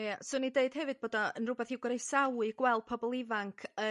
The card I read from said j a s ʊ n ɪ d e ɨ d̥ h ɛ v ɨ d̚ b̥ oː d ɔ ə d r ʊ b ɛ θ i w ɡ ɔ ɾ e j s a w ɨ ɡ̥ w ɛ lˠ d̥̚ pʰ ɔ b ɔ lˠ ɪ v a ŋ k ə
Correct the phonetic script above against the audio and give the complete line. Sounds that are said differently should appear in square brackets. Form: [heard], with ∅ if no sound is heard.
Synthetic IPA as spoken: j a s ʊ n [i] d e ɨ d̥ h ɛ v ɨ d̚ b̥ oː d ɔ ə [n] r ʊ b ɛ θ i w ɡ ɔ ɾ e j s a w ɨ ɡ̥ w ɛ lˠ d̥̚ pʰ ɔ b ɔ lˠ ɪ v a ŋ [kʰ] ə